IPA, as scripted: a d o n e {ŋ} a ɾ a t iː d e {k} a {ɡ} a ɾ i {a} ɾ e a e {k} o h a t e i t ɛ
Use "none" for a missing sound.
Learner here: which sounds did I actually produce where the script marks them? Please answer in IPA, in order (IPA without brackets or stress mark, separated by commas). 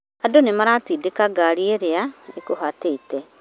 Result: m, k, ɡ, e, k